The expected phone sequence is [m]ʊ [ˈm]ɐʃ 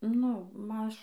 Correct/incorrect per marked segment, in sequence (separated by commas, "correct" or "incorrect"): incorrect, correct